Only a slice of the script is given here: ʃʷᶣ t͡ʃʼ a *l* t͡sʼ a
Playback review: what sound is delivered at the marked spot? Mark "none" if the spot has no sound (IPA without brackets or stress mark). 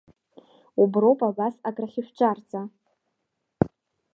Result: r